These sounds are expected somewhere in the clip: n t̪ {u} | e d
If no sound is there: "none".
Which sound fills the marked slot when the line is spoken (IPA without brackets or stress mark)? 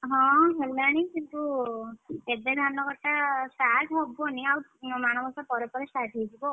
u